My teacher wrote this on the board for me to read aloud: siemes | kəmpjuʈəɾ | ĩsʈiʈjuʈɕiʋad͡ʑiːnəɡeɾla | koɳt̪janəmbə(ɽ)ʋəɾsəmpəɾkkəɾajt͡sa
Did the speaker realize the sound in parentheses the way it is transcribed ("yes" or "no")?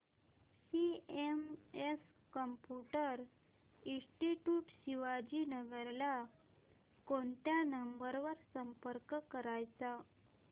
no